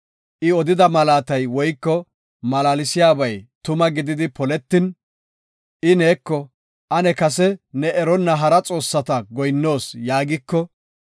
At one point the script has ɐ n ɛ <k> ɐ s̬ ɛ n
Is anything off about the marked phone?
no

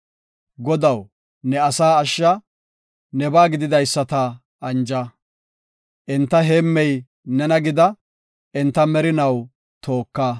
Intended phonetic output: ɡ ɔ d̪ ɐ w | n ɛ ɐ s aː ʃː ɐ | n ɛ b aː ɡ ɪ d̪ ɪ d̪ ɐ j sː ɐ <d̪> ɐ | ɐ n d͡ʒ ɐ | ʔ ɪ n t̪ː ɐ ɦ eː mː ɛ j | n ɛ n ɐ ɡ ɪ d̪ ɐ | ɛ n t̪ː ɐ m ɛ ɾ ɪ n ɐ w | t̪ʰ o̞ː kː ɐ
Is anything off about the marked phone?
yes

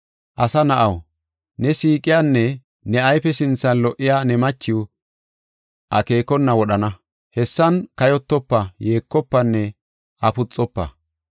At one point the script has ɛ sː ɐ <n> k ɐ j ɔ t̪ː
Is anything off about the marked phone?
no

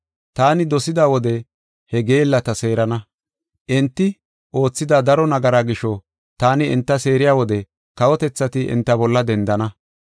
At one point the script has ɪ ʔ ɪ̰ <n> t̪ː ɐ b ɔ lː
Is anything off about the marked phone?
no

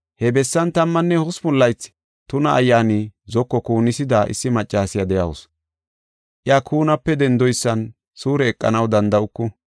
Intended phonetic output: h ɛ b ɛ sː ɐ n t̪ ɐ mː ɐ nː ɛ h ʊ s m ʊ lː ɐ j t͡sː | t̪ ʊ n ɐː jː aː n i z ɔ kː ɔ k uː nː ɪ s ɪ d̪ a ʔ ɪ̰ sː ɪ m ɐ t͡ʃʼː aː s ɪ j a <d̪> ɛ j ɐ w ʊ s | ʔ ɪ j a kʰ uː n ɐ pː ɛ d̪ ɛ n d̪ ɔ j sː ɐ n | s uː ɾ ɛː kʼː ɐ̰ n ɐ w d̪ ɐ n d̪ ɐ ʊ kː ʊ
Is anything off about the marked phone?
no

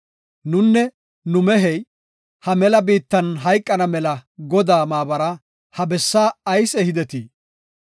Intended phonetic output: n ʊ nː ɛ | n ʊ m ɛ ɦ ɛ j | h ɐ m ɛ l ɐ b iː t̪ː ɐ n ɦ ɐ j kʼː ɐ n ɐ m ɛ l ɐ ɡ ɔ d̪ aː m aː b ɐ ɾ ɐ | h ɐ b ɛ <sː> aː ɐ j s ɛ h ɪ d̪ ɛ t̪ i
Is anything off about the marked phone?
no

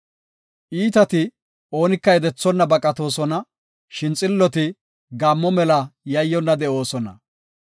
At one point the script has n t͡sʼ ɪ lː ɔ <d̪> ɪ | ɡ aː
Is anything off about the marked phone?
yes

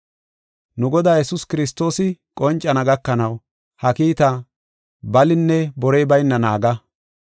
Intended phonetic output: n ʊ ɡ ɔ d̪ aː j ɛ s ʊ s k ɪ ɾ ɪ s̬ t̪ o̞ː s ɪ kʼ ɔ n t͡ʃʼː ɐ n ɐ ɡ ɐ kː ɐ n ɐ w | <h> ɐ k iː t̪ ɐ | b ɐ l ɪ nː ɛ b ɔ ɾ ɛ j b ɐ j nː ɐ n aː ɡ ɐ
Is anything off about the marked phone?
no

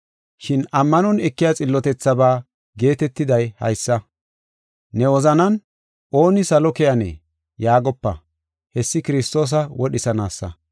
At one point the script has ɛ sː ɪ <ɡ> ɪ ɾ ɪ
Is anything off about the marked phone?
yes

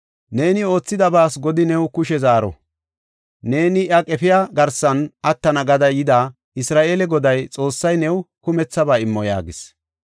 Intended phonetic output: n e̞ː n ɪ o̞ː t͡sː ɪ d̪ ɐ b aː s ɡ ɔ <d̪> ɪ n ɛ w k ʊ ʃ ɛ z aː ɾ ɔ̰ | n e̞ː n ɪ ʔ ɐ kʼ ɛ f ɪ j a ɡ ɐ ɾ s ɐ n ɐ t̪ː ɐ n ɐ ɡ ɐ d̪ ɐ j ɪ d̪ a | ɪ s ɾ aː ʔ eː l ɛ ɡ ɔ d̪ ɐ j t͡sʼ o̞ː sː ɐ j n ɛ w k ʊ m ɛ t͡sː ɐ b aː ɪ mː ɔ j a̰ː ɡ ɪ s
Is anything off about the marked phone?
no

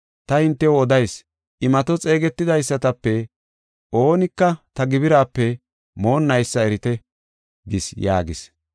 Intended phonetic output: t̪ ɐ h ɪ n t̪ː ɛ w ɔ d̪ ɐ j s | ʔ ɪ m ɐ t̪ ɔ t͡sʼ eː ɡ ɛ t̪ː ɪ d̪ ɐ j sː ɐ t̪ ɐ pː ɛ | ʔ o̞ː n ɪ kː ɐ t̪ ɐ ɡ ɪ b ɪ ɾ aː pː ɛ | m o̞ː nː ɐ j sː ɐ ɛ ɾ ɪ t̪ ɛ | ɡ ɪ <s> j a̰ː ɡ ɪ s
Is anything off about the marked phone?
no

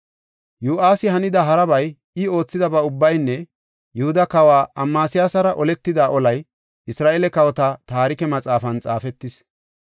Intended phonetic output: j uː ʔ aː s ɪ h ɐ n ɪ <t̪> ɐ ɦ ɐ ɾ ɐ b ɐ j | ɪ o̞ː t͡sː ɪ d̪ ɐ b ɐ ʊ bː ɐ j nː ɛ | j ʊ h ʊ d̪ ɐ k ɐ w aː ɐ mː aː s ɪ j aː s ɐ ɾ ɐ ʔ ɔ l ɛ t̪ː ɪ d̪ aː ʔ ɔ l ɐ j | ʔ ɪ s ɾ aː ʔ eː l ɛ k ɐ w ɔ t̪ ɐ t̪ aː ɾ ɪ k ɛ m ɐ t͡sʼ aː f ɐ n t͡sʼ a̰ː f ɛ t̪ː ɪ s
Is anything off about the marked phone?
yes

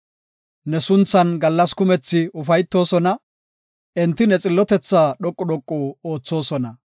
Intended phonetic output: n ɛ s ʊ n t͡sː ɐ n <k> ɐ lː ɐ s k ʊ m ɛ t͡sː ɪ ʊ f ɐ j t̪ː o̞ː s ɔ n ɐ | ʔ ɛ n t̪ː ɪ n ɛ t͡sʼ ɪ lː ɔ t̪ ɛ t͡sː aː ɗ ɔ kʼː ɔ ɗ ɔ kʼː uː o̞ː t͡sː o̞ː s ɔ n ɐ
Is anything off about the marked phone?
yes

